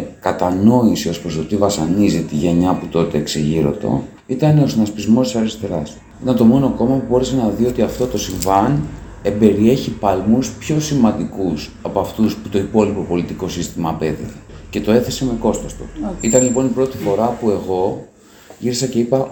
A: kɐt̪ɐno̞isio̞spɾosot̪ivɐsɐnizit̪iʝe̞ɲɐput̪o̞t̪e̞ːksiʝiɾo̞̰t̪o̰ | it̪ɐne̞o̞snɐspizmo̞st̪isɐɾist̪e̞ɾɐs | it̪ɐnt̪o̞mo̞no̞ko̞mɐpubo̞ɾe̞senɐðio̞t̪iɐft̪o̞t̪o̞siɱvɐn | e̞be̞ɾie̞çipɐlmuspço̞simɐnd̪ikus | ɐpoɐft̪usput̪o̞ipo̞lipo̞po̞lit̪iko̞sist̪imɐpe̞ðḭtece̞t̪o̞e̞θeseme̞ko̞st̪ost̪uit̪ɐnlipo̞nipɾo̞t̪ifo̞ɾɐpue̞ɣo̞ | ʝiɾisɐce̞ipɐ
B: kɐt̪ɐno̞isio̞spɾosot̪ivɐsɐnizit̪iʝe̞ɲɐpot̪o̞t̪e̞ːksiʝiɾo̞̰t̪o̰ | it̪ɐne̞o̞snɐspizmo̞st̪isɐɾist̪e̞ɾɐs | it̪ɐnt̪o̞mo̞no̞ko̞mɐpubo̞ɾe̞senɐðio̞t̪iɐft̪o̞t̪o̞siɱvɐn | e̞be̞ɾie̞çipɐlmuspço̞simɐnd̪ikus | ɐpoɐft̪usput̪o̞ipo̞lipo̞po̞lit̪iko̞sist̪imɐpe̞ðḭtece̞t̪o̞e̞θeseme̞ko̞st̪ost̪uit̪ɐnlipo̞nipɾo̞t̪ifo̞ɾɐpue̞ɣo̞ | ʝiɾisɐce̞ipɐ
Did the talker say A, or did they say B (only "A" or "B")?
A